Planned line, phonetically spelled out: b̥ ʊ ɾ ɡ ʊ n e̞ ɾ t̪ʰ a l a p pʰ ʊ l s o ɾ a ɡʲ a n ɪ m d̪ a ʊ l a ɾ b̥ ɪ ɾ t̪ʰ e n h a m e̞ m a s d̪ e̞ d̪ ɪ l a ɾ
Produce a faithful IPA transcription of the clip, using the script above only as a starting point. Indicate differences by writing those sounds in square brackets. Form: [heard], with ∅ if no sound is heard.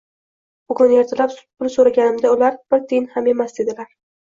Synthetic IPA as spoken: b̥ ʊ [∅] ɡ ʊ n e̞ ɾ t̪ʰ a l a p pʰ ʊ l s o ɾ a ɡʲ a n ɪ m d̪ a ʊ l a ɾ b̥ ɪ ɾ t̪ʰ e n h a m e̞ m a s d̪ e̞ d̪ ɪ l a ɾ